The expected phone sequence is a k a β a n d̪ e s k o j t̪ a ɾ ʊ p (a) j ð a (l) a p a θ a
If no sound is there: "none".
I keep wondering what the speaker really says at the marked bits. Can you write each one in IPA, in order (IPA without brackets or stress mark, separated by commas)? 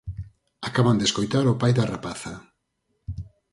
a, r